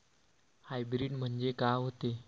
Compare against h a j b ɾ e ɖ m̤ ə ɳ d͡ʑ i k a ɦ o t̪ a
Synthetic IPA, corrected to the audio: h a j b ɾ i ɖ m̤ ə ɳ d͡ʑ e k a ɦ o t̪ e